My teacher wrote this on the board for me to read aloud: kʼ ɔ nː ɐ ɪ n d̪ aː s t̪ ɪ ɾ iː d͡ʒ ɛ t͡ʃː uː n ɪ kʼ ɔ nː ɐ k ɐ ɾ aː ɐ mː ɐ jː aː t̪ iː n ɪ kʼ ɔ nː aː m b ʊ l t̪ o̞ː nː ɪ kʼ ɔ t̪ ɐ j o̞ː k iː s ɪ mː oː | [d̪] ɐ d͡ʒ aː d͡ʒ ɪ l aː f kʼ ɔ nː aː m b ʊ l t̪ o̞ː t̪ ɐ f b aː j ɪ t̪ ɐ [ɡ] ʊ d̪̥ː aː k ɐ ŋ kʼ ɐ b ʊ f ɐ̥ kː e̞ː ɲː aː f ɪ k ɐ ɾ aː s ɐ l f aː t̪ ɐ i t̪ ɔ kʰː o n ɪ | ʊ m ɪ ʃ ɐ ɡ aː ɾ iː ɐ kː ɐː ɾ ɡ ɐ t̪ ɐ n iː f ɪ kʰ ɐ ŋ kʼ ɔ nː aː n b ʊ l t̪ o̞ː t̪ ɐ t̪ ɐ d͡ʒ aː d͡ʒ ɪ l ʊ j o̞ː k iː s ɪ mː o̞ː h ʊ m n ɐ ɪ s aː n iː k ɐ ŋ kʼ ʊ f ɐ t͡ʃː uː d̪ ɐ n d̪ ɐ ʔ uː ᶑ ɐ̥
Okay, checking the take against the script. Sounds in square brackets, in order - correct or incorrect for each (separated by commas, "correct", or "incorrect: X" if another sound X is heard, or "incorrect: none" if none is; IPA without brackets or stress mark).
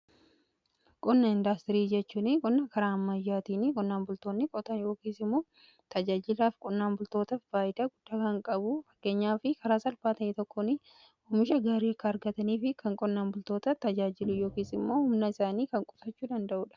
incorrect: t̪, correct